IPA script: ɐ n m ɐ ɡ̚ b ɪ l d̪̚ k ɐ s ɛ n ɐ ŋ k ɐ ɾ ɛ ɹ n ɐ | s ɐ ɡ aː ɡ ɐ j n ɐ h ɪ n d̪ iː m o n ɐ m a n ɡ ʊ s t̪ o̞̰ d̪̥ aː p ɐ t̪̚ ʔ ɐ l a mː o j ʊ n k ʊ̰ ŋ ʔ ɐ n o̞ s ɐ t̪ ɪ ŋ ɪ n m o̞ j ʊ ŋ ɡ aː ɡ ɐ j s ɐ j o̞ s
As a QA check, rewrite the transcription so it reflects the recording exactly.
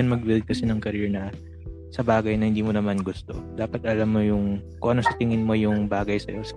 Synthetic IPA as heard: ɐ n m ɐ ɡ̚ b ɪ l d̪̚ k ɐ s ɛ n ɐ ŋ k ɐ ɾ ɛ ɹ n ɐ | s ɐ b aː ɡ ɐ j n ɐ h ɪ n d̪ iː m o n ɐ m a n ɡ ʊ s t̪ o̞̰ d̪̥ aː p ɐ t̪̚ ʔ ɐ l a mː o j ʊ ŋ k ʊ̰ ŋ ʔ ɐ n o̞ s ɐ t̪ ɪ ŋ ɪ n m o̞ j ʊ ŋ b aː ɡ ɐ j s ɐ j o̞ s